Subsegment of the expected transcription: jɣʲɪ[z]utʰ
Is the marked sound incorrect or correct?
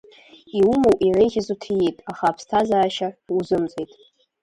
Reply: correct